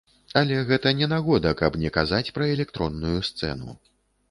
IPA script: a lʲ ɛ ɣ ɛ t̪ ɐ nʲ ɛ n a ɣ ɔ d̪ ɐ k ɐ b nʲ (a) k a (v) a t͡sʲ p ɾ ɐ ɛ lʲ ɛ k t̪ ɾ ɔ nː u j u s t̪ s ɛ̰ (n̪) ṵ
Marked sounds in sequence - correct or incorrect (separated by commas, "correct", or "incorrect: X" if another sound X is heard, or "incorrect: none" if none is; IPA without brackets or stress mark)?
incorrect: ɛ, incorrect: z, correct